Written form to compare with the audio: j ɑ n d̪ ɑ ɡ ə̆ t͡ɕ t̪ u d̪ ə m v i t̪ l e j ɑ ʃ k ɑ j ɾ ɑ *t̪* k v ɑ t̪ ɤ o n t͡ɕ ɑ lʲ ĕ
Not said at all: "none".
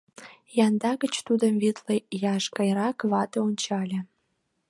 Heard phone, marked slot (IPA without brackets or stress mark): none